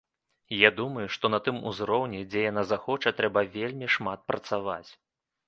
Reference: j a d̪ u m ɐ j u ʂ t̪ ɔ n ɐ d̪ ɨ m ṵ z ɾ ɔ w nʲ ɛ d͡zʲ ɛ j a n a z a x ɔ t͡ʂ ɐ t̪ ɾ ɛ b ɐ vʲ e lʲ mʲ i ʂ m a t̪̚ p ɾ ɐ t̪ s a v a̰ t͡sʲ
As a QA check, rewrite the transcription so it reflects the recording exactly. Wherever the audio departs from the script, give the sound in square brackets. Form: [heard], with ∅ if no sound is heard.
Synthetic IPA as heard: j a d̪ u m ɐ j u ʂ t̪ ɔ n ɐ [t̪] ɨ m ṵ z ɾ ɔ w nʲ ɛ d͡zʲ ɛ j a n a z a x ɔ t͡ʂ ɐ t̪ ɾ ɛ b ɐ vʲ e lʲ mʲ i ʂ m a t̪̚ p ɾ ɐ t̪ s a v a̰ t͡sʲ